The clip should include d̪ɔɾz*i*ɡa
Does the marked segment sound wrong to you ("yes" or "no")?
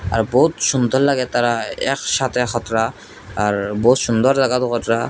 yes